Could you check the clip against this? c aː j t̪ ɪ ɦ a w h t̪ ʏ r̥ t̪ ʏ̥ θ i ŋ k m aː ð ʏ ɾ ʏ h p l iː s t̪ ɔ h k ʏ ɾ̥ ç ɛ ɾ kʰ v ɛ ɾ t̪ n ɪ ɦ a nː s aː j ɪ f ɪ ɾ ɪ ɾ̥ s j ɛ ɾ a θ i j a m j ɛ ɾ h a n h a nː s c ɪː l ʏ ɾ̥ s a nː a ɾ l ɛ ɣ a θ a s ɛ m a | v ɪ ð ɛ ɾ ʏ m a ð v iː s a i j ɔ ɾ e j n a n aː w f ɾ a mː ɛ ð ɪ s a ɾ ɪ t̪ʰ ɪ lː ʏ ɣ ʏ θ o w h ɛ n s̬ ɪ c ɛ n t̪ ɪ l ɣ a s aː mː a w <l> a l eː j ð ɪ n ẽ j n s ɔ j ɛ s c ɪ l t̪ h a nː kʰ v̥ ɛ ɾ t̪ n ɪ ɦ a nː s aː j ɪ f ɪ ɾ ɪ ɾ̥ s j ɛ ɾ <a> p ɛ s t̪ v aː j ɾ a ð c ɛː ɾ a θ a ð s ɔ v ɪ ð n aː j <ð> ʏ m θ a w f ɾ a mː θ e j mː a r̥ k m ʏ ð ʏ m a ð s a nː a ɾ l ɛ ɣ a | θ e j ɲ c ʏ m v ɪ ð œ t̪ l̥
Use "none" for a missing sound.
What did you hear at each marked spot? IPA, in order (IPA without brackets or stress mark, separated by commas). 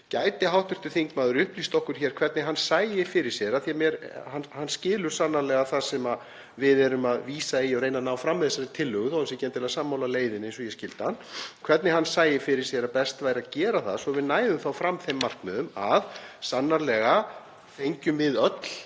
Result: l, a, ð